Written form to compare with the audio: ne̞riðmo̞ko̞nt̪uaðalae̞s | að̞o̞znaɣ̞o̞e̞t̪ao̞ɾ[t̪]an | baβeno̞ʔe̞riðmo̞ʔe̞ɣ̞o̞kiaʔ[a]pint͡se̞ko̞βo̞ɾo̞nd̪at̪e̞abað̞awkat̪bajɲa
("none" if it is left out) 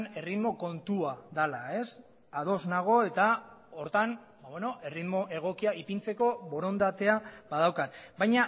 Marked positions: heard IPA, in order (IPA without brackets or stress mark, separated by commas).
t̪, i